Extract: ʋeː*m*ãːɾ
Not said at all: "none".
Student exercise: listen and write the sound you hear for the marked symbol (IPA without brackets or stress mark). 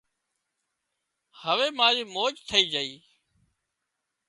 m